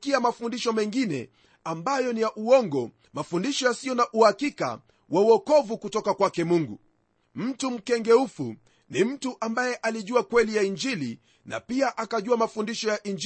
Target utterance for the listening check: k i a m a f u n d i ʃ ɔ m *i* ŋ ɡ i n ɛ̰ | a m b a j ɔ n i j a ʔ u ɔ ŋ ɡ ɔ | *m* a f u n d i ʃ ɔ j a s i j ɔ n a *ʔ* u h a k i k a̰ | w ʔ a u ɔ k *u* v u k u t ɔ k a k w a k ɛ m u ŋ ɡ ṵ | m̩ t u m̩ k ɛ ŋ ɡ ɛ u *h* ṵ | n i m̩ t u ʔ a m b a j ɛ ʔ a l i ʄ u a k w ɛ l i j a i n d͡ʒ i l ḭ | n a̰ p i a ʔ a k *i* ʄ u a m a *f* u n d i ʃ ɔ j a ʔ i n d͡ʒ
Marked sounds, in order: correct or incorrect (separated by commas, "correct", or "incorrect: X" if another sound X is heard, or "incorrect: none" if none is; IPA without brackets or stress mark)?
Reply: incorrect: ɛ, correct, correct, incorrect: ɔ, incorrect: f, incorrect: a, correct